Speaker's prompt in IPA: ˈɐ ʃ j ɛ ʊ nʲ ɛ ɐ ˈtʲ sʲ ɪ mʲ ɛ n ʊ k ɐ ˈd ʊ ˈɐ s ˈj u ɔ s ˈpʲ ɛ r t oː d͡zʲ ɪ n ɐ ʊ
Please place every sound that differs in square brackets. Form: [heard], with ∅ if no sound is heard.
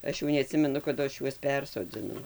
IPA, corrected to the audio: ˈɐ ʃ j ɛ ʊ nʲ ɛ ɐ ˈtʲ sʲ ɪ mʲ ɛ n ʊ k ɐ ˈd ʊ ˈɐ [ʃ] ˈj u ɔ s ˈpʲ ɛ r [s] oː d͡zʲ ɪ n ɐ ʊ